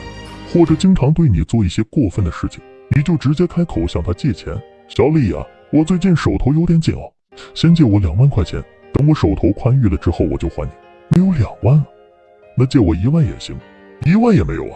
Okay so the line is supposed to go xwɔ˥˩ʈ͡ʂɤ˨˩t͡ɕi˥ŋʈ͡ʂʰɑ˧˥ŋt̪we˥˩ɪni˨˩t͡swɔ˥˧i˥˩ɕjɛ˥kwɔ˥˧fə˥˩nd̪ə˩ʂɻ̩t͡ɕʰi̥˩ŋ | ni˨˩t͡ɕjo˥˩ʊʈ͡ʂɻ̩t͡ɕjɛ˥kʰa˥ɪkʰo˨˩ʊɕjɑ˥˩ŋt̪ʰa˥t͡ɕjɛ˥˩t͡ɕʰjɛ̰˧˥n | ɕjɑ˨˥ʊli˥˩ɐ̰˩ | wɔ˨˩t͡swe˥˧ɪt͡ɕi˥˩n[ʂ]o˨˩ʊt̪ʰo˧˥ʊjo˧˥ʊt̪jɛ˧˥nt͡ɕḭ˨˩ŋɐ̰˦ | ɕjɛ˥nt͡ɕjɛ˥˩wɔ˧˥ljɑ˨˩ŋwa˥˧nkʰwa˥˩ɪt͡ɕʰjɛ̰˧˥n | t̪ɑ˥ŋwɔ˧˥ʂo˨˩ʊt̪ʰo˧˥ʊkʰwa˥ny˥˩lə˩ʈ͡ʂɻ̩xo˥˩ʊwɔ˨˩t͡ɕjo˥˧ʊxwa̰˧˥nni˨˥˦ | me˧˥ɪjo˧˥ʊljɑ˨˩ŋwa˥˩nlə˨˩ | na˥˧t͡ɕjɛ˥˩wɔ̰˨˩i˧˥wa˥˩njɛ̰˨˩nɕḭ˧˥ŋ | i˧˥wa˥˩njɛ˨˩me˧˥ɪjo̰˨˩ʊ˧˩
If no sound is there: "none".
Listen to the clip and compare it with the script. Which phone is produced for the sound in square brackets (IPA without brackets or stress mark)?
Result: ʂ